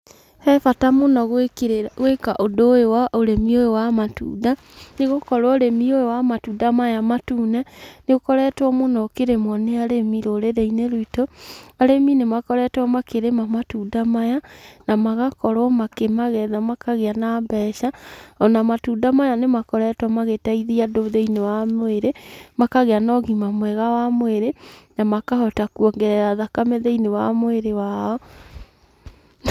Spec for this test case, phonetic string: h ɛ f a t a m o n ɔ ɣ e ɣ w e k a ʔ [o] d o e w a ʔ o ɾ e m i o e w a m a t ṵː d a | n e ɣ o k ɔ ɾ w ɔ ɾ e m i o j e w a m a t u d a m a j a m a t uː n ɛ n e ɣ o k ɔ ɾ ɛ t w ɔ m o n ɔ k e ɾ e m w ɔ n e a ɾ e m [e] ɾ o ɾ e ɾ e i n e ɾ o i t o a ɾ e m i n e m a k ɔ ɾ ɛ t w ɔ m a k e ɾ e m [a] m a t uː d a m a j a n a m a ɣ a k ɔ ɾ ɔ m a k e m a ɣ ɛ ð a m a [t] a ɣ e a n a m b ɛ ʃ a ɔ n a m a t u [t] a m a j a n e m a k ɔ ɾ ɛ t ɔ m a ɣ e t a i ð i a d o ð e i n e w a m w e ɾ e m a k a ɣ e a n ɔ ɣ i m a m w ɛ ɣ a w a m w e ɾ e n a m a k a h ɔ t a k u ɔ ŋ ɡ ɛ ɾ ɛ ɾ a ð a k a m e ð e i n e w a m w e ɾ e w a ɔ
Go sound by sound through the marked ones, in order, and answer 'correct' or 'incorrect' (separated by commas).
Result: correct, incorrect, correct, incorrect, incorrect